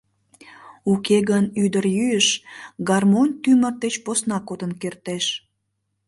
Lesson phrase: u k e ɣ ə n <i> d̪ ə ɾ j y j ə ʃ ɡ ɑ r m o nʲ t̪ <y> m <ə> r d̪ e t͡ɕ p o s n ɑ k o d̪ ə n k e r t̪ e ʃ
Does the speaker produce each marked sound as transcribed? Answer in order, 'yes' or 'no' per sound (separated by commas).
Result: no, yes, yes